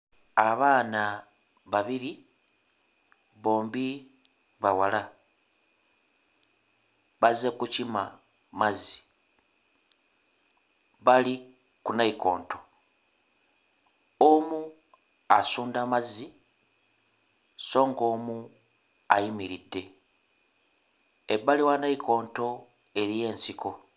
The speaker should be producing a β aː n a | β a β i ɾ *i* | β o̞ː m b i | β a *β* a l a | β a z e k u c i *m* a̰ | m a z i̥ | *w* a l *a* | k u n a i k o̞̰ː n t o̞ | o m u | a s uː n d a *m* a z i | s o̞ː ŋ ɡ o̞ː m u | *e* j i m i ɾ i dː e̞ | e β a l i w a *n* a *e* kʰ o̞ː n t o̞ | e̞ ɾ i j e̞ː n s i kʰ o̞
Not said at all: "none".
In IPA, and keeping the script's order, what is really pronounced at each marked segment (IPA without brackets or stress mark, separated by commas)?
i, w, m, β, i, m, a, n, i